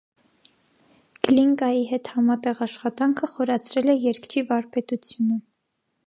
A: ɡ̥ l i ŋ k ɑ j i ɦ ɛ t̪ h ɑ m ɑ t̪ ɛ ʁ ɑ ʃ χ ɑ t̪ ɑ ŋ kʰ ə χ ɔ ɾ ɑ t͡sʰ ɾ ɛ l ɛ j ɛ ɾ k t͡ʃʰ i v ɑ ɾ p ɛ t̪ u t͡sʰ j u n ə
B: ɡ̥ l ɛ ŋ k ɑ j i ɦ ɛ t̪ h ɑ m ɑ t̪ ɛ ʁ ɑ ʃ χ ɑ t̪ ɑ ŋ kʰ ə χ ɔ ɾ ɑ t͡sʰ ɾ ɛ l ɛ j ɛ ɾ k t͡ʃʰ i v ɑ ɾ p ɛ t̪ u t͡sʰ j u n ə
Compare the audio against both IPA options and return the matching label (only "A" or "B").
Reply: A